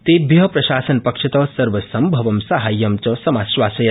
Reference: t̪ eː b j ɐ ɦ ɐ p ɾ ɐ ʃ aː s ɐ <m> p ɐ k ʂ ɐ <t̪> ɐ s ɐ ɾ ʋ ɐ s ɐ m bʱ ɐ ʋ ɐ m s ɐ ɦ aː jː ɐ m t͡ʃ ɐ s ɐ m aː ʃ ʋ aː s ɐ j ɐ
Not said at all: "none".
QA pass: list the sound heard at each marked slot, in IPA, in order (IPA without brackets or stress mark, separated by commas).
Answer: n, t̪